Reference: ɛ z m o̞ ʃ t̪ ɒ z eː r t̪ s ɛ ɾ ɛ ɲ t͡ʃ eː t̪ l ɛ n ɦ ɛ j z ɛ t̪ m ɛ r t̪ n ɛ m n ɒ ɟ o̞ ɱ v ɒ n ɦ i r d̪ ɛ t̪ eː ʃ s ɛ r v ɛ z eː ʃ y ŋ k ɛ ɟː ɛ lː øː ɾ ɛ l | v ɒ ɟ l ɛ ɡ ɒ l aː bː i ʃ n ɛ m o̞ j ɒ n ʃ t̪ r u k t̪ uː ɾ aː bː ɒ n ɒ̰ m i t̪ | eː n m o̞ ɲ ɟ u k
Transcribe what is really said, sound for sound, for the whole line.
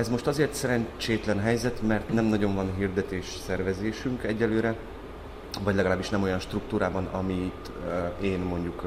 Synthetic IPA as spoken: ɛ z m o̞ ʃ t̪ ɒ z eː r t̪ s ɛ ɾ ɛ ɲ t͡ʃ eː t̪ l ɛ n ɦ ɛ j z ɛ t̪ m ɛ r t̪ n ɛ m n ɒ ɟ o̞ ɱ v ɒ n ɦ i r d̪ ɛ t̪ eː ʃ s ɛ r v ɛ z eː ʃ y ŋ k ɛ ɟː ɛ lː øː ɾ ɛ | v ɒ ɟ l ɛ ɡ ɒ l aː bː i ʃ n ɛ m o̞ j ɒ n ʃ t̪ r u k t̪ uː ɾ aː b ɒ n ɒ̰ m i t̪ | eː n m o̞ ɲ ɟ u k